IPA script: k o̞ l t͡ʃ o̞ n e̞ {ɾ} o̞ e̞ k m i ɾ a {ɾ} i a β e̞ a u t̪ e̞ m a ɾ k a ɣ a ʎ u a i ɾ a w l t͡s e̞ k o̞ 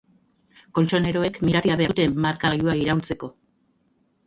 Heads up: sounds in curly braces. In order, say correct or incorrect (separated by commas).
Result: correct, correct